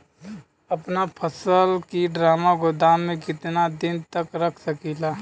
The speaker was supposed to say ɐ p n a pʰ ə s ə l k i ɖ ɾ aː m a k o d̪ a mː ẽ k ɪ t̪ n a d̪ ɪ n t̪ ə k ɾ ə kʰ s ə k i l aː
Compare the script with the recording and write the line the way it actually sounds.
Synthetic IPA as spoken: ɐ p n a pʰ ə s ə l k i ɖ ɾ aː m a ɡ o d̪ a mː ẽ k ɪ t̪ n a d̪ ɪ n t̪ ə k ɾ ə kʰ s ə k i l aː